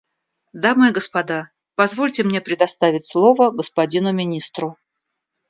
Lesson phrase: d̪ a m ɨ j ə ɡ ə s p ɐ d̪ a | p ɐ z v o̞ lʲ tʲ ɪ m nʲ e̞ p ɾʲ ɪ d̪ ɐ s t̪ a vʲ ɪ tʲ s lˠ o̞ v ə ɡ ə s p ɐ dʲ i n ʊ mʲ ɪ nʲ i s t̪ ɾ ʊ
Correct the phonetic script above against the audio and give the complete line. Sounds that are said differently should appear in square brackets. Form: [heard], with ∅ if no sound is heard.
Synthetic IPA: d̪ a m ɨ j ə ɡ ə s p ɐ d̪ a | p ɐ z v o̞ lʲ tʲ ɪ m nʲ e̞ p ɾʲ ɪ d̪ ɐ s t̪ a vʲ ɪ tʲ s lˠ o̞ v ə ɡ ə s p ɐ dʲ i n ʊ mʲ ɪ nʲ i s t̪ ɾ ʊ